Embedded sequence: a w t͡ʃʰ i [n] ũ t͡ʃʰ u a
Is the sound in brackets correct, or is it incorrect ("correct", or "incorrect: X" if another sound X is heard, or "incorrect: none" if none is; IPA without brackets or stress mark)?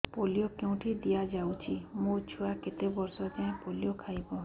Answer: incorrect: m